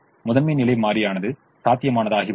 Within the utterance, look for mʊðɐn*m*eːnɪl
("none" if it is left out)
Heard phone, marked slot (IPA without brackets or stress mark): m